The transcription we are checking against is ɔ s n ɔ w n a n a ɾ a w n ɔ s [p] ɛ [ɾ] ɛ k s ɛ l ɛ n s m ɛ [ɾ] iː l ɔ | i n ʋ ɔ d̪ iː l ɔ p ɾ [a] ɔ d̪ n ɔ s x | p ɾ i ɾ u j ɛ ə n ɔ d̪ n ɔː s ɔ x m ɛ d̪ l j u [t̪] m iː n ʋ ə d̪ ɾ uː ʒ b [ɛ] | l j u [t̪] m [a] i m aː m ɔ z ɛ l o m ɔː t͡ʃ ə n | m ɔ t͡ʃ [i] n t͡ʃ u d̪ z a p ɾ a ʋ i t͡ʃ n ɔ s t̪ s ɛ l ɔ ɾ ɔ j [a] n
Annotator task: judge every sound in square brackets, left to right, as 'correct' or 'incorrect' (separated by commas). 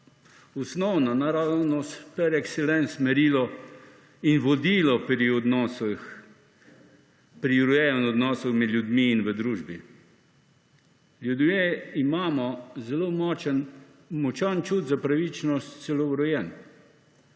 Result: correct, correct, correct, incorrect, incorrect, incorrect, incorrect, incorrect, incorrect, incorrect